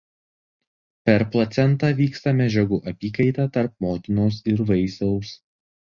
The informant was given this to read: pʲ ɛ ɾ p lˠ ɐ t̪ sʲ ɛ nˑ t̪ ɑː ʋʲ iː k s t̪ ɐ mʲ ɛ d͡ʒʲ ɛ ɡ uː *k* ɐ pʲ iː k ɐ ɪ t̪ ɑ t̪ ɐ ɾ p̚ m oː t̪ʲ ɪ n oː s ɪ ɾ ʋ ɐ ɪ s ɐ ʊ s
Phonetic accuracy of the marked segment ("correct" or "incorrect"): incorrect